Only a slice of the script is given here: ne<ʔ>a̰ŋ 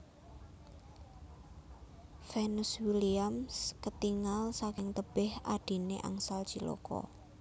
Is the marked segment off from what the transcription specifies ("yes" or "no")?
no